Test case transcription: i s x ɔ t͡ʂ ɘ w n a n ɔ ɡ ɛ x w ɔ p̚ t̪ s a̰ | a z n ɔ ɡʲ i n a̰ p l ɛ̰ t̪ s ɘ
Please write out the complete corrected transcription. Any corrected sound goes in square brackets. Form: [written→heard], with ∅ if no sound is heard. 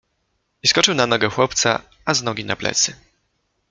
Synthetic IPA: i s [x→k] ɔ t͡ʂ ɘ w n a n ɔ ɡ ɛ x w ɔ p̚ t̪ s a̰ | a z n ɔ ɡʲ i n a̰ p l ɛ̰ t̪ s ɘ